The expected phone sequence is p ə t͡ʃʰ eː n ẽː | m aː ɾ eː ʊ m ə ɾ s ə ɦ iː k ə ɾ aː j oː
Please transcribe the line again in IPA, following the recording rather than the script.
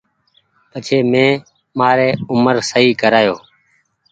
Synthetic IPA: p ə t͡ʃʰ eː m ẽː | m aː ɾ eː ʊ m ə ɾ s ə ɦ iː k ə ɾ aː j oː